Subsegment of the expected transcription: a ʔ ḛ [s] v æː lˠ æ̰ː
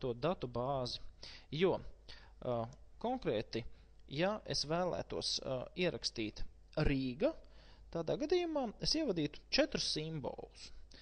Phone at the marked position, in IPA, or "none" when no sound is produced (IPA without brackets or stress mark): s